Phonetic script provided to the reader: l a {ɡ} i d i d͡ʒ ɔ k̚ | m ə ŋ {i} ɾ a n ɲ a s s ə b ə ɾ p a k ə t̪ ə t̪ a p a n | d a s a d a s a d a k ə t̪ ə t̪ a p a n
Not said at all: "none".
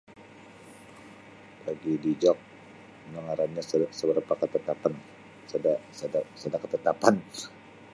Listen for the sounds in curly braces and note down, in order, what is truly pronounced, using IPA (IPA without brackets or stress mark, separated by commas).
ɡ, a